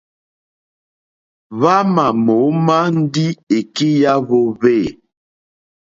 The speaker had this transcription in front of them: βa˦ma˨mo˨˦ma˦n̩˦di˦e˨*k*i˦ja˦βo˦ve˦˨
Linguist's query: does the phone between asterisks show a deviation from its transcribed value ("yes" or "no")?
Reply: no